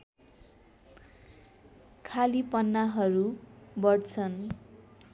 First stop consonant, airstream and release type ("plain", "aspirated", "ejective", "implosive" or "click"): aspirated